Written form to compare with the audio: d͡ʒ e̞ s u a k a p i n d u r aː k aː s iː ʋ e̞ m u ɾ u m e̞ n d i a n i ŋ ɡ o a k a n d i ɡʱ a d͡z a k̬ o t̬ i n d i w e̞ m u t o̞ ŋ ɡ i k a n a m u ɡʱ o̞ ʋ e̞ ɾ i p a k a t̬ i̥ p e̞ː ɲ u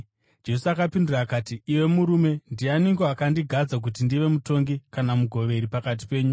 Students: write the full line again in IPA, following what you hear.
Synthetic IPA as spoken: d͡ʒ e̞ s u a k a p i n d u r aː k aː t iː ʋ e̞ m u ɾ u m e̞ n d i a n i ŋ ɡ o a k a n d i ɡʱ a d͡z a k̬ u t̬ i n d i ʋ e̞ m u t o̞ ŋ ɡ i k a n a m u ɡʱ o̞ ʋ e̞ ɾ i p a k a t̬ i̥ p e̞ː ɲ u

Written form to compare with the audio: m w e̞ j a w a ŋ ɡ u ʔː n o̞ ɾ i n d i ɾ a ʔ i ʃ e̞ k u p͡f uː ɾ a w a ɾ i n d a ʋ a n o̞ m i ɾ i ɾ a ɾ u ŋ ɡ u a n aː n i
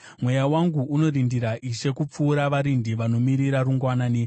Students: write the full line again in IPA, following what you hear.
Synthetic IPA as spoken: m w e̞ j a w a ŋ ɡ u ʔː n o̞ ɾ i n d i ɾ a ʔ i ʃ e̞ k u p͡f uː ɾ a ʋ a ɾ i n d i ʋ a n o̞ m i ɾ i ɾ a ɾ u ŋ ɡ w a n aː n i

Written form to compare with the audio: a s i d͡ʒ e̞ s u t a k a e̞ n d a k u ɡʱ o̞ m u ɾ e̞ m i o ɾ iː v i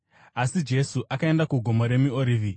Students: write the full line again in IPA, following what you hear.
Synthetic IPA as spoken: a s i d͡ʒ e̞ s u ʔ a k a e̞ n d a k u ɡʱ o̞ m o ɾ e̞ m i o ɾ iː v i

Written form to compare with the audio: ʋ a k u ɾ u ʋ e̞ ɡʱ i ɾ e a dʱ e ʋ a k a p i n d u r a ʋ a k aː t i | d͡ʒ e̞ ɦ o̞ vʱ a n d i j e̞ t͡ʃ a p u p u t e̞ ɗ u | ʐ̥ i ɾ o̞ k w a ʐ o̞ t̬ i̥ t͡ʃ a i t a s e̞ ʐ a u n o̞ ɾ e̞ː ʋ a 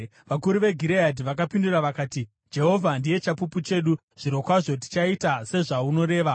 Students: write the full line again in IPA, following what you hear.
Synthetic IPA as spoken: ʋ a k u ɾ u ʋ e̞ ɡʱ i ɾ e a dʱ i ʋ a k a p i n d u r a ʋ a k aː t i | d͡ʒ e̞ ɦ o̞ vʱ a n d i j e̞ t͡ʃ a p u p u t͡ʃ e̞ ɗ u | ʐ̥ i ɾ o̞ k w a ʐ o̞ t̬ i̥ t͡ʃ a i t a s e̞ ʐ a u n o̞ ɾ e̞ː ʋ a

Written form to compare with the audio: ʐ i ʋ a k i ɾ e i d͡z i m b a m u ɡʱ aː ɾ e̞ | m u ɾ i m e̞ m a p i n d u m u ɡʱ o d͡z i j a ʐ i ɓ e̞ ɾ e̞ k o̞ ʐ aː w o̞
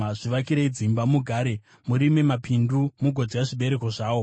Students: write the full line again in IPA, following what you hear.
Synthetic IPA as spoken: ʐ i ʋ a k i ɾ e i d͡z i m b a m u ɡʱ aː ɾ e̞ | m u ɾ i m e̞ m a p i n d u m u ɡʱ o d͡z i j a ʐ i ɓ e̞ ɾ e̞ k o̞ ʐ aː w o̞

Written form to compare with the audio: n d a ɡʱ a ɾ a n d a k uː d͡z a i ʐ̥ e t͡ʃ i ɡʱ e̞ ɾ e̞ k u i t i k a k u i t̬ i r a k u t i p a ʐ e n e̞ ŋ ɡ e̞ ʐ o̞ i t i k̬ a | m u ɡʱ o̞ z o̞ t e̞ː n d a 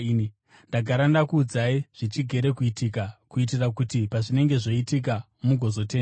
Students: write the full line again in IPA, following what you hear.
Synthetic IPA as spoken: n d a ɡʱ a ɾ a n d a k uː d͡z a i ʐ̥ i t͡ʃ i ɡʱ e̞ ɾ e̞ k u i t i k a k u i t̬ i r a k u t i p a ʐ i n e̞ ŋ ɡ e̞ ʐ o̞ i t i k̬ a | m u ɡʱ o̞ z o̞ t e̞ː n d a

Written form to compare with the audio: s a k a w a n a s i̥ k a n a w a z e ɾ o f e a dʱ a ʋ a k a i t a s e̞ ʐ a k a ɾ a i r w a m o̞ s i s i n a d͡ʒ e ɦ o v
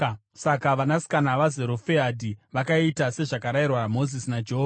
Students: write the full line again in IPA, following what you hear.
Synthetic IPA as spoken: s a k a ʋ a n a s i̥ k a n a ʋ a z e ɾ o f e a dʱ i ʋ a k a i t a s e̞ ʐ a k a ɾ a i r w a m o̞ z i s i n a d͡ʒ e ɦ o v

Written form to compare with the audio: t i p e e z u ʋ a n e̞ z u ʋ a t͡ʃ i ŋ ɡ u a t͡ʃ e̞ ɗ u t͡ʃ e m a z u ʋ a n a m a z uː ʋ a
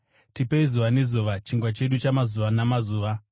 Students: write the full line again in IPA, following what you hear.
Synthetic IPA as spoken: t i p e i z u ʋ a n e̞ z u ʋ a t͡ʃ i ŋ ɡ w a t͡ʃ e̞ ɗ u t͡ʃ a m a z u ʋ a n a m a z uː ʋ a

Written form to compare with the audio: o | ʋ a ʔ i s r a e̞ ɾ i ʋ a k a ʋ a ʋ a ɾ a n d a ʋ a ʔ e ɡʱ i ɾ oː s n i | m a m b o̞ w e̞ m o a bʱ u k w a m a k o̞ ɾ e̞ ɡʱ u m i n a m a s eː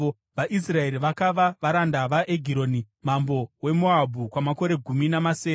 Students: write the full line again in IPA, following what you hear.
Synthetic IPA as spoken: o | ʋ a ʔ i s r a e̞ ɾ i ʋ a k a ʋ a ʋ a ɾ a n d a ʋ a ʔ e ɡʱ i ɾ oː n i | m a m b o̞ w e̞ m o a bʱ u k w a m a k o̞ ɾ e̞ ɡʱ u m i n a m a s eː

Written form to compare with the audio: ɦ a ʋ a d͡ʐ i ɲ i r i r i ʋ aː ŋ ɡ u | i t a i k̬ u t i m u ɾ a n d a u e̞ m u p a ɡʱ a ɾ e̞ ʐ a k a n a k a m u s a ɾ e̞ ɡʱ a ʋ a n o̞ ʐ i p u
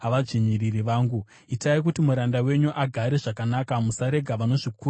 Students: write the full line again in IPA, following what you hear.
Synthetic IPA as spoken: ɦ a ʋ a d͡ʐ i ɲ i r i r i ʋ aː ŋ ɡ u | i t a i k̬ u t i m u ɾ a n d a w e̞ ɲ u ʔ a ɡʱ a ɾ e̞ ʐ a k a n a k a m u s a ɾ e̞ ɡʱ a ʋ a n o̞ ʐ i k u

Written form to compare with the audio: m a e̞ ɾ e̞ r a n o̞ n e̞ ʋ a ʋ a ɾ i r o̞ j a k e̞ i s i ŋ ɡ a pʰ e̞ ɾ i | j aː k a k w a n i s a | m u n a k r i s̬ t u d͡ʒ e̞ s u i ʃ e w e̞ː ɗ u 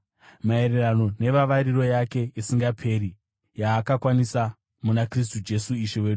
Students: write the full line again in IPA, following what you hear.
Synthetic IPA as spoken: m a e̞ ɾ e̞ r a n o̞ n e̞ ʋ a ʋ a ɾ i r o̞ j a k e̞ i s i ŋ ɡ a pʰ e̞ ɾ i | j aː k a k w a n i s a | m u n a k r i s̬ t u d͡ʒ e̞ s u i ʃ e w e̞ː ɗ u

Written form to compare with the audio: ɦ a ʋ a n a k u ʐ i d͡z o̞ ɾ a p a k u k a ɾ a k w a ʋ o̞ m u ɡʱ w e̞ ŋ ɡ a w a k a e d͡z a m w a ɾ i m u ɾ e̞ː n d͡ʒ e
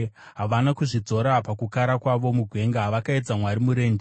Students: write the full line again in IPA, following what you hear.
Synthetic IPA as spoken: ɦ a ʋ a n a k u ʐ i d͡z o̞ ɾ a p a k u k a ɾ a k w a ʋ o̞ m u ɡʱ w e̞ ŋ ɡ a ʋ a k a e d͡z a m w a ɾ i m u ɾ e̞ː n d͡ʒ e

